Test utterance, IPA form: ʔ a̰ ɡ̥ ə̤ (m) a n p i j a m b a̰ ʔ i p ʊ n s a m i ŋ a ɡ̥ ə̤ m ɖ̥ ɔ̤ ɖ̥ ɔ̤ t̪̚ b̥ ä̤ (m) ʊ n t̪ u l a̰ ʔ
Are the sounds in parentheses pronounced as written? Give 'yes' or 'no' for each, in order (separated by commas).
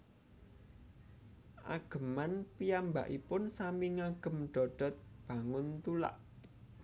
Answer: yes, no